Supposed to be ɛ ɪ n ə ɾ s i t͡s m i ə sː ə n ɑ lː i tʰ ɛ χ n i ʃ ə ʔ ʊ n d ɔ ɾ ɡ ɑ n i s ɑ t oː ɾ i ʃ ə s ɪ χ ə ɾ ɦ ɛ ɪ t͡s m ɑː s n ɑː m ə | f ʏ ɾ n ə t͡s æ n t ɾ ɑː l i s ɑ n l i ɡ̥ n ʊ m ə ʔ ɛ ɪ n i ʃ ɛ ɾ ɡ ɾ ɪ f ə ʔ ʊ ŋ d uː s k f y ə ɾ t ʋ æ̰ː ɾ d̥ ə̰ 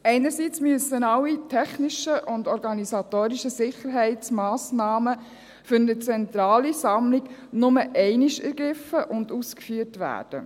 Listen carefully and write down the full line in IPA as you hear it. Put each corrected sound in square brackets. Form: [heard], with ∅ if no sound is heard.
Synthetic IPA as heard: ɛ ɪ n ə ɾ s i t͡s m [y] ə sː ə n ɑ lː i tʰ ɛ χ n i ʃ ə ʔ ʊ n d ɔ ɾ ɡ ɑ n i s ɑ t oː ɾ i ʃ ə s ɪ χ ə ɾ ɦ ɛ ɪ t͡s m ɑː s n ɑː m ə | f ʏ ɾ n ə t͡s [ɛ] n t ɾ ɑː l i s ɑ [m] l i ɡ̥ n ʊ m ə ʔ ɛ ɪ n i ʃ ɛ ɾ ɡ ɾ ɪ f ə ʔ ʊ [n] d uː s k f y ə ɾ t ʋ æ̰ː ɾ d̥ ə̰